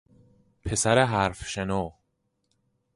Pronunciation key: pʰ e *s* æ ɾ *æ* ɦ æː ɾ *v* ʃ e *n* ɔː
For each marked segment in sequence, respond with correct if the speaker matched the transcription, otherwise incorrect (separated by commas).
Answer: correct, incorrect, incorrect, correct